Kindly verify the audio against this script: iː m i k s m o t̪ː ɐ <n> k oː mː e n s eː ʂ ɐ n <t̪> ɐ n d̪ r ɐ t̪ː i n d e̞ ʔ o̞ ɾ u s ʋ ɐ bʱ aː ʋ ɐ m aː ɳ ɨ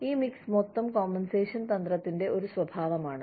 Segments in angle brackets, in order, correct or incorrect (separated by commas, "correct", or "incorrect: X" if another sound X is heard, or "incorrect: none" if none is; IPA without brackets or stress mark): incorrect: m, correct